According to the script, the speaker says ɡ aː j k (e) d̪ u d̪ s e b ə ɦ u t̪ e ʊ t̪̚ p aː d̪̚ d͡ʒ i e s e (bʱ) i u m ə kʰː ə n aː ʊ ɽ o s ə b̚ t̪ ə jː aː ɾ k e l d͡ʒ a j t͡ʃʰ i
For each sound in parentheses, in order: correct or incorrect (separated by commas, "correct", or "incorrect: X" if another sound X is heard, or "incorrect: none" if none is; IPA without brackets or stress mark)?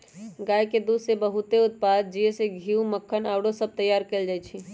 correct, incorrect: ɡʱ